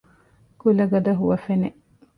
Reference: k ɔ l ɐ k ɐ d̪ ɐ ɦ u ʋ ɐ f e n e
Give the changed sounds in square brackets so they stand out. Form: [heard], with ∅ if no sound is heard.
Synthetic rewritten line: k [u] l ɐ [ɡ] ɐ d̪ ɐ ɦ u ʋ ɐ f e n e

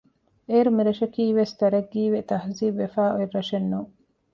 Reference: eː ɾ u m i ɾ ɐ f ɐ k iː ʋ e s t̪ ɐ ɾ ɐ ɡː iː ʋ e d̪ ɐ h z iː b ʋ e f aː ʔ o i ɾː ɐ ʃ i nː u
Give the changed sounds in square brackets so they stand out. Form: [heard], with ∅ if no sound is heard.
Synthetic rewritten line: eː ɾ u m i ɾ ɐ [ʃ] ɐ k iː ʋ e s t̪ ɐ ɾ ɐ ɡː iː ʋ e [t̪] ɐ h z iː b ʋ e f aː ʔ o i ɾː ɐ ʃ [e] nː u

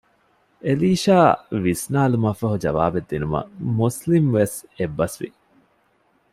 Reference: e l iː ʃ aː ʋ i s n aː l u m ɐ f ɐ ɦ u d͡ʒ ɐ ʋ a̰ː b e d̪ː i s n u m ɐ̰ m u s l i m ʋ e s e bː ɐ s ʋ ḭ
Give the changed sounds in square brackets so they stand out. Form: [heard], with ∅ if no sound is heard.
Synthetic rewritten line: e l iː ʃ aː ʋ i s n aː l u m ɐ f ɐ ɦ u d͡ʒ ɐ ʋ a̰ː b e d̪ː i [∅] n u m ɐ̰ m u s l i m ʋ e s e bː ɐ s ʋ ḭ

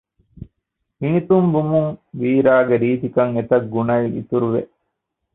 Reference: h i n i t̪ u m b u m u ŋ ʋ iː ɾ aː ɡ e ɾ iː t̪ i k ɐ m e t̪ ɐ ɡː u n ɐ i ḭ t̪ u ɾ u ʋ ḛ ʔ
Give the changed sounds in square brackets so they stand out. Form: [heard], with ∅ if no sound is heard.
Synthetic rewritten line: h i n i t̪ u m b u m u ŋ ʋ iː ɾ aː ɡ e ɾ iː t̪ i k ɐ [ŋ] e t̪ ɐ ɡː u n ɐ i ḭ t̪ u ɾ u ʋ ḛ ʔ

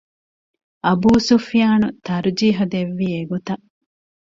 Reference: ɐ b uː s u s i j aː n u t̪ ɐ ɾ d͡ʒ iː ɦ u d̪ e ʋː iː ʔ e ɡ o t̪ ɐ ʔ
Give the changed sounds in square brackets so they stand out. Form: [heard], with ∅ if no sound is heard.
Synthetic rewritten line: ɐ b uː s u [f] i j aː n u t̪ ɐ ɾ d͡ʒ iː ɦ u d̪ e ʋː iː [∅] e ɡ o t̪ ɐ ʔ

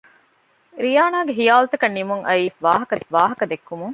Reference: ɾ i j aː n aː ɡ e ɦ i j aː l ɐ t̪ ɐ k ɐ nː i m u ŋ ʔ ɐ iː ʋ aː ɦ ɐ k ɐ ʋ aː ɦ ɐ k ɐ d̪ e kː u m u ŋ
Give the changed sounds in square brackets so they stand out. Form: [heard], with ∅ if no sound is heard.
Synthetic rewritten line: ɾ i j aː n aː ɡ e ɦ i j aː l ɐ t̪ ɐ k ɐ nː i m u ŋ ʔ ɐ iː ʋ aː ɦ ɐ k ɐ ʋ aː ɦ ɐ k ɐ d̪ e kː u m u ŋ

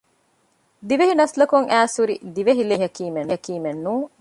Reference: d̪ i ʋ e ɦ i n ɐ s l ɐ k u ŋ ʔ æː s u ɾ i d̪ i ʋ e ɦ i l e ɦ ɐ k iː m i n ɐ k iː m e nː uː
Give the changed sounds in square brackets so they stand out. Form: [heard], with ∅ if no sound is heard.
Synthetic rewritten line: d̪ i ʋ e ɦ i n ɐ s l ɐ k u ŋ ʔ æː s u ɾ i d̪ i ʋ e ɦ i l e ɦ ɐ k iː m [e] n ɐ k iː m e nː uː

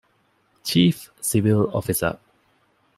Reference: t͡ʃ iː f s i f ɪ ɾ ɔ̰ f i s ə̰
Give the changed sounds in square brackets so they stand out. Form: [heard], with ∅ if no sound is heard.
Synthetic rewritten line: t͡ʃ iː f s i [v] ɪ [l] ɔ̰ f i s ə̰

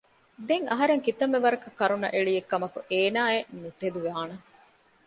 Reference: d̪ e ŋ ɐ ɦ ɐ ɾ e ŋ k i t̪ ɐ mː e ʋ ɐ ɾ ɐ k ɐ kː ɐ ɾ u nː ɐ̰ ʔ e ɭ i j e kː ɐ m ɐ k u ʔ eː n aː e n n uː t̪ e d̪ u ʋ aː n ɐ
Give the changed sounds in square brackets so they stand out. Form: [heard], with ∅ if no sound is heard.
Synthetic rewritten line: d̪ e ŋ ɐ ɦ ɐ ɾ e ŋ k i t̪ ɐ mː e ʋ ɐ ɾ ɐ k ɐ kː ɐ ɾ u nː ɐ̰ ʔ e ɭ i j e kː ɐ m ɐ k u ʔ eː n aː e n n [u] t̪ e d̪ u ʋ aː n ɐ

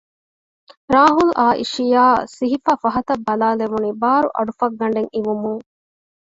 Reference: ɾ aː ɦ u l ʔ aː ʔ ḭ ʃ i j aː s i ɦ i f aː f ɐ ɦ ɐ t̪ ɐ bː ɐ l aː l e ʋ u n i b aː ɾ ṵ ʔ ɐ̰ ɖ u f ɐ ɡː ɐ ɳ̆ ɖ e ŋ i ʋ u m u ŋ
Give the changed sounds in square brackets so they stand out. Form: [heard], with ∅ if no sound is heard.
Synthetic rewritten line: ɾ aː ɦ u l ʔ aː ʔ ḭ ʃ i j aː s i ɦ i f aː f ɐ ɦ ɐ t̪ ɐ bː ɐ l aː l e ʋ u n i b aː ɾ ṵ ʔ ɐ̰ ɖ u f ɐ ɡː ɐ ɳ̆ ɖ e ŋ i ʋ u m u ŋ

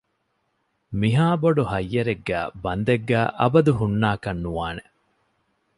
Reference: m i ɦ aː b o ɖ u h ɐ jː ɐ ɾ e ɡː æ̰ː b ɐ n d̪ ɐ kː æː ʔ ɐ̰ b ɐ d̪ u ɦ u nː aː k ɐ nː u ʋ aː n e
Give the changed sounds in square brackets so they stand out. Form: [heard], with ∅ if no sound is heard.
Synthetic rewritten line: m i ɦ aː b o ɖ u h ɐ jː ɐ ɾ e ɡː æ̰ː b ɐ n d̪ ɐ [ɡː] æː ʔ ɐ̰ b ɐ d̪ u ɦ u nː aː k ɐ nː u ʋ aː n e

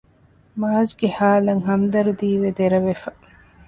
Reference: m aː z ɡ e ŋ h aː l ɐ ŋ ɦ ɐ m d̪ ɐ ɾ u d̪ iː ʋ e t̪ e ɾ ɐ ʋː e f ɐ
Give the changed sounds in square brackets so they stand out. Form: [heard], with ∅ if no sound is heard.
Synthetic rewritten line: m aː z ɡ e [∅] h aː l ɐ ŋ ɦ ɐ m d̪ ɐ ɾ u d̪ iː ʋ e [d̪] e ɾ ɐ [ʋ] e f ɐ

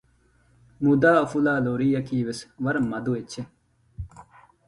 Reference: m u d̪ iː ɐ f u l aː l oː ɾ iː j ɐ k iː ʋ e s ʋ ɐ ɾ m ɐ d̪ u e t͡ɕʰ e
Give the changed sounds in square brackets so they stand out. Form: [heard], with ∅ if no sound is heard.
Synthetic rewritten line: m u d̪ [aː] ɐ f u l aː l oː ɾ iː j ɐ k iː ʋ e s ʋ ɐ ɾ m ɐ d̪ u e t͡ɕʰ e

